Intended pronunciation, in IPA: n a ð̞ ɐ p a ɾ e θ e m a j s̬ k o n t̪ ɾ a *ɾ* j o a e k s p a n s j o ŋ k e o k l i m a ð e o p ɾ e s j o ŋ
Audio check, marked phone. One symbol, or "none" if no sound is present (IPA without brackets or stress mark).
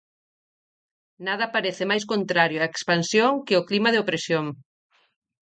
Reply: ɾ